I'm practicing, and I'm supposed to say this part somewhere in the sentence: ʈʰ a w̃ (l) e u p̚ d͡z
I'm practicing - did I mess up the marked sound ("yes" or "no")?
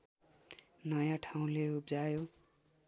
no